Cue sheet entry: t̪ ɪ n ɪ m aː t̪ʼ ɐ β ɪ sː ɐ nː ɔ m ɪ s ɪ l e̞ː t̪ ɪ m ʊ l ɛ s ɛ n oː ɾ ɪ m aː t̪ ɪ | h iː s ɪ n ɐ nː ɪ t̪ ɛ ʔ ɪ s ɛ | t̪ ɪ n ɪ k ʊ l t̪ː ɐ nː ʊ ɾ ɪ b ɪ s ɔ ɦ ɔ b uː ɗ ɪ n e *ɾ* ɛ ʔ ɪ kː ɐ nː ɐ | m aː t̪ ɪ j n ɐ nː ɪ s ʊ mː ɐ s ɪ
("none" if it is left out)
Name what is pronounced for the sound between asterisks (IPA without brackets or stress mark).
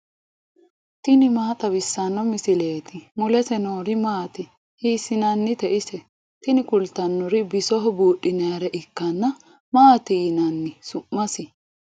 ɾ